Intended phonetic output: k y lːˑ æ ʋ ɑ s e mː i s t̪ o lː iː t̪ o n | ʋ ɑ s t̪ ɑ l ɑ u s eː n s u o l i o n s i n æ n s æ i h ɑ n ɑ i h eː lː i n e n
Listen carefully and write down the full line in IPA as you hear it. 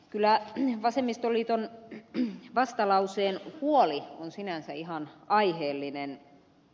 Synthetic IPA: k y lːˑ æ ʋ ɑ s e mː i s t̪ o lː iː t̪ o n | ʋ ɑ s t̪ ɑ l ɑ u s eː n h u o l i o n s i n æ n s æ i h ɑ n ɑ i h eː lː i n e n